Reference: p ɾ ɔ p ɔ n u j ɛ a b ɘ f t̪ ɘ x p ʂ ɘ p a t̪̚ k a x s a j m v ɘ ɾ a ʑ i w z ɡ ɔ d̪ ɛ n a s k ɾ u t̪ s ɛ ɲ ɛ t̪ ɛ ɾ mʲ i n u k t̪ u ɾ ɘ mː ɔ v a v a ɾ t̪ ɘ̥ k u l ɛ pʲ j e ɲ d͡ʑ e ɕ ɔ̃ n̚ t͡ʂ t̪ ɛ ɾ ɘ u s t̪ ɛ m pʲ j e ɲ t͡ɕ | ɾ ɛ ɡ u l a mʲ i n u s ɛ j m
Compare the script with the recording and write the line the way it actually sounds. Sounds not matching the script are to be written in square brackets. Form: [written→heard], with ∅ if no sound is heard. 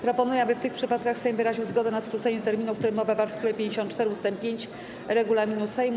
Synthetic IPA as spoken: p ɾ ɔ p ɔ n u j ɛ a b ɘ f t̪ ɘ x p ʂ ɘ p a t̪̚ k a x s [a→ɛ] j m v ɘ ɾ a ʑ i w z ɡ ɔ d̪ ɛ n a s k ɾ u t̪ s ɛ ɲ ɛ t̪ ɛ ɾ mʲ i n u k t̪ u ɾ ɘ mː ɔ v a v a ɾ t̪ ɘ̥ k u l ɛ pʲ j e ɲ d͡ʑ e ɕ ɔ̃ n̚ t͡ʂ t̪ ɛ ɾ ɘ u s t̪ ɛ m pʲ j e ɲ t͡ɕ | ɾ ɛ ɡ u l a mʲ i n u s ɛ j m

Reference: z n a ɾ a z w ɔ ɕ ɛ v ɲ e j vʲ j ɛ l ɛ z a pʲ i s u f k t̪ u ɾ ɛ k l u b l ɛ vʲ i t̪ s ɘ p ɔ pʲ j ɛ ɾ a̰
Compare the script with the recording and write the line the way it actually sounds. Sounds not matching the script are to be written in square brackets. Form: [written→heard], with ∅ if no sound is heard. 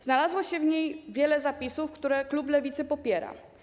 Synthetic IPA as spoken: z n a [ɾ→l] a z w ɔ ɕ ɛ v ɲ e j vʲ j ɛ l ɛ z a pʲ i s u f k t̪ u ɾ ɛ k l u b l ɛ vʲ i t̪ s ɘ p ɔ pʲ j ɛ ɾ a̰

